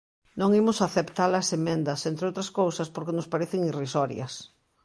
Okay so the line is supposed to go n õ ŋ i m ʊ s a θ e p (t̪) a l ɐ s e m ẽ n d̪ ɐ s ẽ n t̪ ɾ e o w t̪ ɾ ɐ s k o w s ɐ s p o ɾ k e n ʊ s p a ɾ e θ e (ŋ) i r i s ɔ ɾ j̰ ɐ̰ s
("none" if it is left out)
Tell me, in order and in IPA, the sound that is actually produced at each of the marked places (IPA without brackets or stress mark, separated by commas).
t̪, ŋ